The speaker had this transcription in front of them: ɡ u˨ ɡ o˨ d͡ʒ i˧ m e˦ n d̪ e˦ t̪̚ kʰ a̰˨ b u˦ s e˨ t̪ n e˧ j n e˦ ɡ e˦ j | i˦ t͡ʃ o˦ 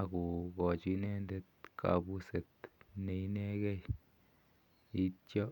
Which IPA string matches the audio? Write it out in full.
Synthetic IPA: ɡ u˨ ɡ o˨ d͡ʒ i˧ n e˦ n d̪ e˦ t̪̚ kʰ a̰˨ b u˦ s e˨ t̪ n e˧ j n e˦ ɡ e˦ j | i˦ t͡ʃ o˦